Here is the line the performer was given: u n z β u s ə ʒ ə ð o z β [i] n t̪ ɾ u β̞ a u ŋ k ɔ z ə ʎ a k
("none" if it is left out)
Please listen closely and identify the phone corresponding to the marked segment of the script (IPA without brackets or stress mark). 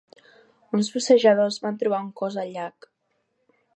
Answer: a